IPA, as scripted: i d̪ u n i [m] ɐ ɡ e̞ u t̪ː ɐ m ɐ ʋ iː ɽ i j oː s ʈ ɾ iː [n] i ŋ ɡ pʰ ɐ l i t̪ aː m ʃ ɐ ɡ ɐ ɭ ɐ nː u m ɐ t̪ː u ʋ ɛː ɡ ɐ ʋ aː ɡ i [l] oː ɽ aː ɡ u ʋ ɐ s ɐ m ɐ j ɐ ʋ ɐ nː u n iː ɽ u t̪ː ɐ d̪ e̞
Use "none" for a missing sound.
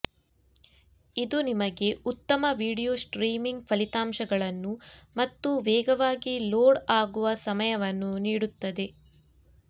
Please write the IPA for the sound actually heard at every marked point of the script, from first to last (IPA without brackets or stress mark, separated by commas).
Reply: m, m, l